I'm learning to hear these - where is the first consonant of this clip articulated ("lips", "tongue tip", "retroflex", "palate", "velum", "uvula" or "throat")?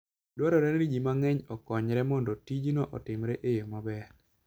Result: tongue tip